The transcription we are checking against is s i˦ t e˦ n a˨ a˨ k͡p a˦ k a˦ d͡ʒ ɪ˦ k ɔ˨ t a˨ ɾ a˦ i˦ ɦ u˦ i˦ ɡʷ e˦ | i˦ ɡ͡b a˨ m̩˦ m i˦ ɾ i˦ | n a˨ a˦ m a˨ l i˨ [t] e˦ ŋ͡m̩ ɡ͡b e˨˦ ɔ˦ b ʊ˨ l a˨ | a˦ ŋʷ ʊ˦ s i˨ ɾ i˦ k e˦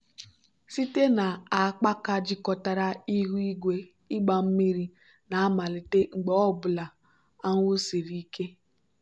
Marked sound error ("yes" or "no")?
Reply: no